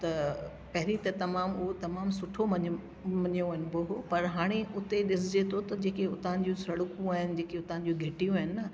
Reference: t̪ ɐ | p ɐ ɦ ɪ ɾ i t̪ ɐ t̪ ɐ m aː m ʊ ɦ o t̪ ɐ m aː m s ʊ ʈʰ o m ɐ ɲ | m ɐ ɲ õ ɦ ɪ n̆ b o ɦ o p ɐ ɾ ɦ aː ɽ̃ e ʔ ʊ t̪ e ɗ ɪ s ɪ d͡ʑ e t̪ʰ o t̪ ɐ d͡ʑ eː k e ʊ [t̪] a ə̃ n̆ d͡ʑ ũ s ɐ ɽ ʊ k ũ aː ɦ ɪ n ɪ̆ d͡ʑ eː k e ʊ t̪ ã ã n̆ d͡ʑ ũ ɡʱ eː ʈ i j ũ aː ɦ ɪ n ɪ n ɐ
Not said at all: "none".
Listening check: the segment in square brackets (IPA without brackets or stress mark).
t̪